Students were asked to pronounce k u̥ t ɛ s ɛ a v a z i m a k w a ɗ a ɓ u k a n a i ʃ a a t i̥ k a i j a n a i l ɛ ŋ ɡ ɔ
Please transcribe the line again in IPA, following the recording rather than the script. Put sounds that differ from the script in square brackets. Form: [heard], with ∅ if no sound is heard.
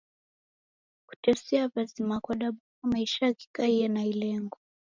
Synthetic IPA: k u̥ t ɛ s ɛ a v a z i m a k w a ɗ a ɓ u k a [m] a i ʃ a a [k] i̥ k a i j a n a i l ɛ ŋ ɡ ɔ